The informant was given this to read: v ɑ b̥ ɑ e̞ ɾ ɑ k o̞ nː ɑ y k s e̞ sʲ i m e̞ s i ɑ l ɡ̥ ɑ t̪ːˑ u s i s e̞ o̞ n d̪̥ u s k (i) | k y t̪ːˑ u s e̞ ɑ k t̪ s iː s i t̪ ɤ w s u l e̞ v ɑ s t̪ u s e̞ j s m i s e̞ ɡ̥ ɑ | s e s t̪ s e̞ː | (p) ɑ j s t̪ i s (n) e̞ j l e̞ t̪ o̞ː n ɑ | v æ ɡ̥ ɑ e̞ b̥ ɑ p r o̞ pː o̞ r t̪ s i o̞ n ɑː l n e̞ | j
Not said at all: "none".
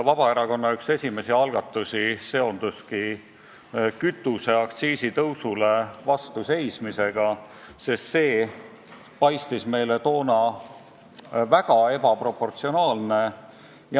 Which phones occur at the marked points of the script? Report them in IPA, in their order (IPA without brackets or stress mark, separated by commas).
i, p, m